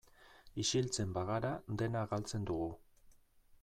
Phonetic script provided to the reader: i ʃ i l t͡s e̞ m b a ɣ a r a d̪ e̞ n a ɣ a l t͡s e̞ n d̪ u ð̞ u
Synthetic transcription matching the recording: i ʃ i l t͡s e̞ m b a ɣ a ɾ a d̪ e̞ n a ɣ a l t͡s e̞ n d̪ u ɣ̞ u